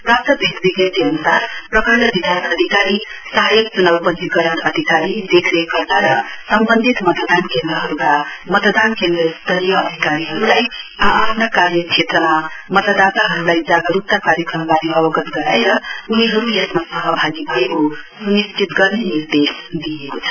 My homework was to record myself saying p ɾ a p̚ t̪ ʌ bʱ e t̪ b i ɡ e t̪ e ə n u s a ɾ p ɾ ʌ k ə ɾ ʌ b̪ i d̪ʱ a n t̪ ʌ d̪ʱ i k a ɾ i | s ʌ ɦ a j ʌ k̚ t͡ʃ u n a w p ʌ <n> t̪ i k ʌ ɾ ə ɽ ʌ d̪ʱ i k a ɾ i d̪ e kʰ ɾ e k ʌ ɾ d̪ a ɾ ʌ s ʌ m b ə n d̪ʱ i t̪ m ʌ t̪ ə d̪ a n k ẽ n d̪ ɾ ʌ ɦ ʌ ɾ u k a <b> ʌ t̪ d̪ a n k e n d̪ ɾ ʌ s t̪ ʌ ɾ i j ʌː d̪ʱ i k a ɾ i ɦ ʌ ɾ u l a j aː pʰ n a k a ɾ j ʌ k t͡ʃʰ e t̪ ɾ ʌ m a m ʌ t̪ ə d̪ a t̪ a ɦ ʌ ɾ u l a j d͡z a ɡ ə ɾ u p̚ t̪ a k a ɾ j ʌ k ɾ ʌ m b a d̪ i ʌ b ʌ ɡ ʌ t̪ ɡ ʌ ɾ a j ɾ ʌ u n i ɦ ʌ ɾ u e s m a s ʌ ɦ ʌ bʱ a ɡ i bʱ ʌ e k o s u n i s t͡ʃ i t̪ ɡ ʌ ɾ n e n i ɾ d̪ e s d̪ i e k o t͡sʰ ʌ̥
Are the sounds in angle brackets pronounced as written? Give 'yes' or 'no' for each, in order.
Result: yes, no

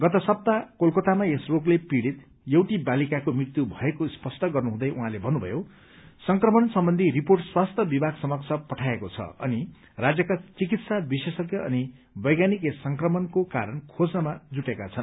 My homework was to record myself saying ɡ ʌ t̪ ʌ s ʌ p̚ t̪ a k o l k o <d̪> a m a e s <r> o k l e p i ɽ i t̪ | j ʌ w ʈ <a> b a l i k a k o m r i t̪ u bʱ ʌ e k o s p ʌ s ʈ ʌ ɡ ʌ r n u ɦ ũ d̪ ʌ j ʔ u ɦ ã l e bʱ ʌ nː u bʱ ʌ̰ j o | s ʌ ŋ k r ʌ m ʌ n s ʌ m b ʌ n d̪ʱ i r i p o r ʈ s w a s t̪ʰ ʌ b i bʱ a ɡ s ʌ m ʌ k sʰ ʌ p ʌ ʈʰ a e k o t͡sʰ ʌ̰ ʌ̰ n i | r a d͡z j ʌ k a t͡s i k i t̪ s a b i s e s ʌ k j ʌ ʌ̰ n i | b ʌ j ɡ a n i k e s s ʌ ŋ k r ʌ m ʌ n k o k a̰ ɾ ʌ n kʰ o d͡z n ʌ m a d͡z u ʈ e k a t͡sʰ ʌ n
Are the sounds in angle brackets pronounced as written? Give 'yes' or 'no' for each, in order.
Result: no, yes, no

